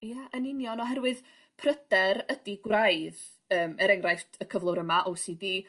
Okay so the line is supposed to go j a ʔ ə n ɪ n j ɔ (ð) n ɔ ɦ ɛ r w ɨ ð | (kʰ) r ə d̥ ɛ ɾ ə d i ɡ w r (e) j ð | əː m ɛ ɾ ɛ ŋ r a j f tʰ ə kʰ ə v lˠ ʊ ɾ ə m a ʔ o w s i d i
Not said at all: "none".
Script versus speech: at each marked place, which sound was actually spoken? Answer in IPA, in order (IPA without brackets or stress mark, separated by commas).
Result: none, pʰ, a